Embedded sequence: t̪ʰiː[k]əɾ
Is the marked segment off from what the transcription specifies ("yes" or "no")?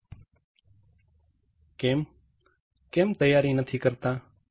no